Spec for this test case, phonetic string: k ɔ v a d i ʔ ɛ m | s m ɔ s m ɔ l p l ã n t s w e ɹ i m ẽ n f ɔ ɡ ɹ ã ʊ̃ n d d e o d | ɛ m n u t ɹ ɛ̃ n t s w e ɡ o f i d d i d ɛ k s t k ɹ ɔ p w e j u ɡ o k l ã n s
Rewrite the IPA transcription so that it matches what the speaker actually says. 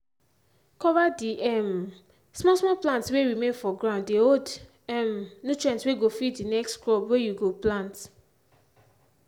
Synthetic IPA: k ɔ v a d i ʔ ɛ m | s m ɔ s m ɔ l p l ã n t s w e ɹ i m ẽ n f ɔ ɡ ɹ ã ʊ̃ n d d e o d | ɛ m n u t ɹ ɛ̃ n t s w e ɡ o f i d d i n ɛ k s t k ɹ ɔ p w e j u ɡ o p l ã n t